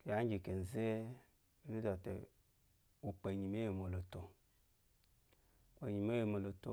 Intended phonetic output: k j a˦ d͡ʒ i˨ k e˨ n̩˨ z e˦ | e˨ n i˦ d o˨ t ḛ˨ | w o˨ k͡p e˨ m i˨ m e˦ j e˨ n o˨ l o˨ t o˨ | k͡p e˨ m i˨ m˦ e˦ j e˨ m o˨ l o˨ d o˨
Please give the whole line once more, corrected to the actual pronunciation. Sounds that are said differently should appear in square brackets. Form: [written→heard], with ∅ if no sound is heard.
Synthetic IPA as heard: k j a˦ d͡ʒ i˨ k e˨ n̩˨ z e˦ | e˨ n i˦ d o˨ t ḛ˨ | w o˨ k͡p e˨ [m→ɲ] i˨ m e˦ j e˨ [n→m] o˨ l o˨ t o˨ | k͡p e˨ [m→ɲ] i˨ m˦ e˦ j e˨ m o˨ l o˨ [d→t] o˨